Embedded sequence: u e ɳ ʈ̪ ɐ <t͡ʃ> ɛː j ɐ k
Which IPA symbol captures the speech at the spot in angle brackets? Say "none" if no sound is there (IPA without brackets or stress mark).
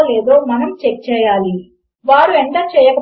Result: t͡ʃ